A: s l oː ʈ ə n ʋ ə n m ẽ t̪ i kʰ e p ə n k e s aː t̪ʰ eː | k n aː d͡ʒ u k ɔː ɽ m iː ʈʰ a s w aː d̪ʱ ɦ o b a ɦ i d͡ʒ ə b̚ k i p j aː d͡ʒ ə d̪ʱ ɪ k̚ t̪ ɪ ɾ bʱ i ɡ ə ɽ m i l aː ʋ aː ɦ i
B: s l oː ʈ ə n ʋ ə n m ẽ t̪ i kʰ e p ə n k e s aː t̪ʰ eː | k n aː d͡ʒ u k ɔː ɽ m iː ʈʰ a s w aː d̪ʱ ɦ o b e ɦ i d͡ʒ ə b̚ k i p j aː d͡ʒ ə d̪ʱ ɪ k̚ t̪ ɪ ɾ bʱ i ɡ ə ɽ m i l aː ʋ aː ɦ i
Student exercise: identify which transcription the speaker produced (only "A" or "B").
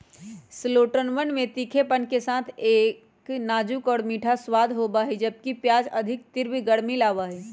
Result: A